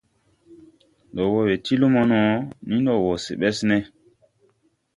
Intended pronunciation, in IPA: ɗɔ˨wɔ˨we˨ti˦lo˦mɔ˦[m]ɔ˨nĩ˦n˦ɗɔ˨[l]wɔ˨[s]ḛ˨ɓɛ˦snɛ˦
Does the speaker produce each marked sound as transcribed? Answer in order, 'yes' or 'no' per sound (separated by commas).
no, no, yes